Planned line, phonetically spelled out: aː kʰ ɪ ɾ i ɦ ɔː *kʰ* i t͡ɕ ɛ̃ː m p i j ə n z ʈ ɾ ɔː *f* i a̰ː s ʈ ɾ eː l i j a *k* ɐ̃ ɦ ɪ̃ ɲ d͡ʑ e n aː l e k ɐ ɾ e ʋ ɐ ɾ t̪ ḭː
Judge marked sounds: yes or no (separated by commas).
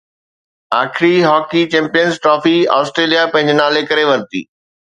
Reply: no, yes, no